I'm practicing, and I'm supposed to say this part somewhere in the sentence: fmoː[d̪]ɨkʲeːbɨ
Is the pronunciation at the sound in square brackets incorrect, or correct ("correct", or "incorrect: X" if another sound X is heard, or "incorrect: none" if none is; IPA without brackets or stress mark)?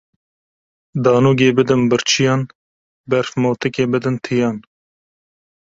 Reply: incorrect: t̪